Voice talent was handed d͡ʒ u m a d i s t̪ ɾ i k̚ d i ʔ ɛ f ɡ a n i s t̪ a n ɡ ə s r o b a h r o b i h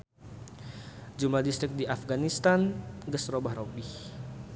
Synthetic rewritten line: d͡ʒ u m a d i s t̪ ɾ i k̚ d i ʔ a f ɡ a n i s t̪ a n ɡ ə s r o b a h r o b i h